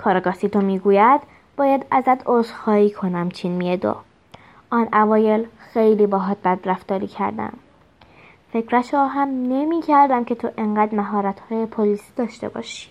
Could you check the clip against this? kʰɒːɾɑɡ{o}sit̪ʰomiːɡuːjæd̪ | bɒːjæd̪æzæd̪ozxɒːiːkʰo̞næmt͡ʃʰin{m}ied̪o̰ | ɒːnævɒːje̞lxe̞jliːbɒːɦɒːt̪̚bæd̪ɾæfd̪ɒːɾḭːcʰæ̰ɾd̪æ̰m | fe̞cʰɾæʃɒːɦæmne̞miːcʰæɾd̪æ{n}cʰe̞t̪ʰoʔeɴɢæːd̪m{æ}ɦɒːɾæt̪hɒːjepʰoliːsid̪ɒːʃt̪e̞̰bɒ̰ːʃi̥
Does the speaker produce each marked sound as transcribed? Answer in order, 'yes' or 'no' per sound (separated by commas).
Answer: no, yes, no, yes